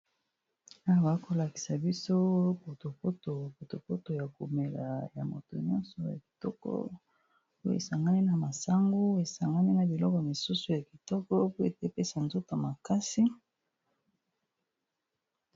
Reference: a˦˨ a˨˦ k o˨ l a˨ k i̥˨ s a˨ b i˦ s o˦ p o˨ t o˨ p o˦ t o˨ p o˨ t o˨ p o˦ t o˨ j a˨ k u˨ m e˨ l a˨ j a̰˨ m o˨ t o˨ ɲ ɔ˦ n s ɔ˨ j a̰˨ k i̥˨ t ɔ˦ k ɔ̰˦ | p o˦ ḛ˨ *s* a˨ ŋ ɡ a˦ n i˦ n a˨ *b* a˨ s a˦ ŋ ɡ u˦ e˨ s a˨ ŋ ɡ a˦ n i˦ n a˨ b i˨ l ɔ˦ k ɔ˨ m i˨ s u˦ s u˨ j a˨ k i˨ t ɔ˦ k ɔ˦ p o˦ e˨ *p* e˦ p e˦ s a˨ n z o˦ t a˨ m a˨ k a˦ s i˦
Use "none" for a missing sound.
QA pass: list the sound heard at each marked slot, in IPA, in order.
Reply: s, m, t

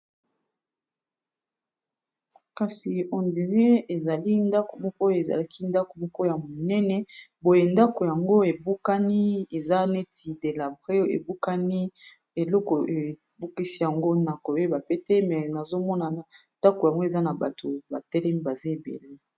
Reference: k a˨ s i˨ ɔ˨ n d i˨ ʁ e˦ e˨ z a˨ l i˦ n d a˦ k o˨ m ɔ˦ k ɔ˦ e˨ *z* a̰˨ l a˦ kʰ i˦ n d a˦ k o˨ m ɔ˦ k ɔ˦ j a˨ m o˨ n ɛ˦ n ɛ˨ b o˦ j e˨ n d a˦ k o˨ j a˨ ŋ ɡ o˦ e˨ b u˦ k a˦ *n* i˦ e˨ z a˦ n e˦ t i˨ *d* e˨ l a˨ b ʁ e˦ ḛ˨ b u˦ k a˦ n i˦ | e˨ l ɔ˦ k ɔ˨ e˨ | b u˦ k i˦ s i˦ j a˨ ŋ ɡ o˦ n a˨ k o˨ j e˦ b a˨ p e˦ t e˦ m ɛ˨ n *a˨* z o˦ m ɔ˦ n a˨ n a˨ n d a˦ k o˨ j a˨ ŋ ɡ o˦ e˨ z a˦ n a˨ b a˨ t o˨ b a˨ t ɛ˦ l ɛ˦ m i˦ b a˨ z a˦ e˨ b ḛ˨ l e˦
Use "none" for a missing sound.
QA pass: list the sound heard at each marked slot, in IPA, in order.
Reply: z, n, d, a˨

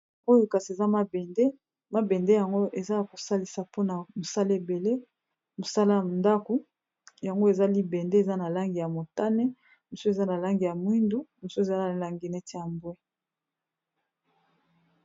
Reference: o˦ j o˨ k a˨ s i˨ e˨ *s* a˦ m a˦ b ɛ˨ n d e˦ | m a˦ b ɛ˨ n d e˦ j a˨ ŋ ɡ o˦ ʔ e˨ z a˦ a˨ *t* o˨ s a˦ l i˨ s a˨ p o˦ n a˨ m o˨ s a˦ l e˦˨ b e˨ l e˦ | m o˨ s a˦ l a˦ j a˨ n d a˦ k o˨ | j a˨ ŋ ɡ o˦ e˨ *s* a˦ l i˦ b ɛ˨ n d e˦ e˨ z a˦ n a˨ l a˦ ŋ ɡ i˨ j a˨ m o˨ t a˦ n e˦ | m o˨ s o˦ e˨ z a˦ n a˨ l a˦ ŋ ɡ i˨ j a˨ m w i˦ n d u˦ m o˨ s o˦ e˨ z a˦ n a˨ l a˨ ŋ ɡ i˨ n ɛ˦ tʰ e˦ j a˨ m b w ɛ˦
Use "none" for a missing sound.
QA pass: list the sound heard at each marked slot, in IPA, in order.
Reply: z, k, z

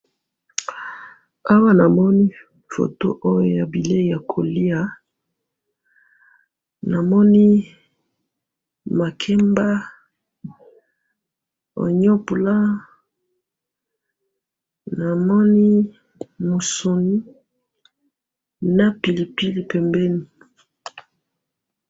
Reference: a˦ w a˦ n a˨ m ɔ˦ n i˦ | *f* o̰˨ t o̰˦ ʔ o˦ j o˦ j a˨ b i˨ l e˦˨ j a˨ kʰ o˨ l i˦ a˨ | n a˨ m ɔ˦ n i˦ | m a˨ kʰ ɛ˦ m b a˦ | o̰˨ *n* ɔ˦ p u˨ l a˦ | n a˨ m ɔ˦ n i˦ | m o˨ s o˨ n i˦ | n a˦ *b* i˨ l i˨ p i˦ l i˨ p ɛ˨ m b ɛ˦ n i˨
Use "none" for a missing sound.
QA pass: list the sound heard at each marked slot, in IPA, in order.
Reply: f, ɲ, p

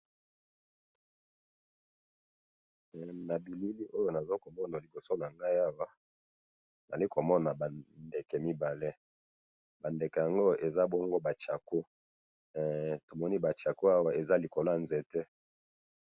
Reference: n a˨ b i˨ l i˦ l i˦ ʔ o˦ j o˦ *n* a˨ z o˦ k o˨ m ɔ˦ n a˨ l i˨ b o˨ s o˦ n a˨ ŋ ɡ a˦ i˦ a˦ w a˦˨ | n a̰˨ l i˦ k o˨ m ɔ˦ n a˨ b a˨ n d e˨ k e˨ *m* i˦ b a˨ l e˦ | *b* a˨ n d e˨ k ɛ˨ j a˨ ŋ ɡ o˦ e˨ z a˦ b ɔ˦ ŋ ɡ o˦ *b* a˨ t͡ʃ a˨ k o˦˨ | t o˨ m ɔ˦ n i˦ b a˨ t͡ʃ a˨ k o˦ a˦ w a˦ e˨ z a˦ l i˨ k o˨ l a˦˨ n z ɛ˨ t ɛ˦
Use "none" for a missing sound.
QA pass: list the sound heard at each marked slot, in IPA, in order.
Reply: n, m, b, b

